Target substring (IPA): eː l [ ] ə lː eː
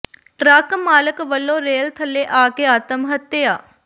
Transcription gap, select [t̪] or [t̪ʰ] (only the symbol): t̪ʰ